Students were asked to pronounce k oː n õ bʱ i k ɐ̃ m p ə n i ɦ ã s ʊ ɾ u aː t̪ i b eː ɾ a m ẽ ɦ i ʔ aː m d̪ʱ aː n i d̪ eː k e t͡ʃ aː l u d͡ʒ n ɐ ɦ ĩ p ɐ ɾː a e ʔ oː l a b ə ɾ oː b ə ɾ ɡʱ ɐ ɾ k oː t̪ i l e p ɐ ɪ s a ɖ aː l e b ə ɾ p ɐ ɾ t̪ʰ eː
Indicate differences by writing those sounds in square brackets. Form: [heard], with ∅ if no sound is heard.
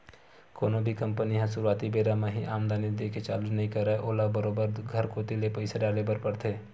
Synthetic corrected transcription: k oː n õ bʱ i k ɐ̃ m p ə n i ɦ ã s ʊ ɾ u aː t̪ i b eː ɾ a m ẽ ɦ i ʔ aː m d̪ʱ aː n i d̪ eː k e t͡ʃ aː l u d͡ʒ n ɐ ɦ ĩ [k] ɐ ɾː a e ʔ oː l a b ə ɾ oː b ə ɾ ɡʱ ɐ ɾ k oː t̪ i l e p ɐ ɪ s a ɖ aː l e b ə ɾ p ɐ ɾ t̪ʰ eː